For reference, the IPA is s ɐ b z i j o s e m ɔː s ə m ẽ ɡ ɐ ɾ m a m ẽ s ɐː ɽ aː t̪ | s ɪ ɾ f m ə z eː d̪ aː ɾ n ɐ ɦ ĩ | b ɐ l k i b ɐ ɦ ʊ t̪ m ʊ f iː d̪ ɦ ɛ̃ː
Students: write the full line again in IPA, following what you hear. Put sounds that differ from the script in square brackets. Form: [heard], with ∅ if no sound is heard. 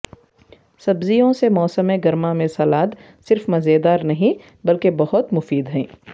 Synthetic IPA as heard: s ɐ b z i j [õ] s e m ɔː s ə m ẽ ɡ ɐ ɾ m a m ẽ s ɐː [l] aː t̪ | s ɪ ɾ f m [ɐ] z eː d̪ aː ɾ n ɐ ɦ ĩ | b ɐ l k [e] b ɐ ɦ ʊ t̪ m ʊ f iː d̪ ɦ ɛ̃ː